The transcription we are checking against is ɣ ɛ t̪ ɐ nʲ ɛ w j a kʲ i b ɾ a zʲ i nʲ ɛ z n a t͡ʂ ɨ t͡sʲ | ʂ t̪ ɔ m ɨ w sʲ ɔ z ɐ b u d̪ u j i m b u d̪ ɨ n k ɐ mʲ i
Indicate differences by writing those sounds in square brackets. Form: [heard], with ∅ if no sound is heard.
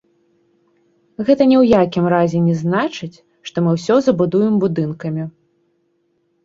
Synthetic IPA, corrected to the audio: ɣ ɛ t̪ ɐ nʲ ɛ w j a kʲ i [m] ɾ a zʲ [ɛ] nʲ ɛ z n a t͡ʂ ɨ t͡sʲ | ʂ t̪ ɔ m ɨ w sʲ ɔ z ɐ b u d̪ u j [ɛ] m b u d̪ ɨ n k ɐ mʲ i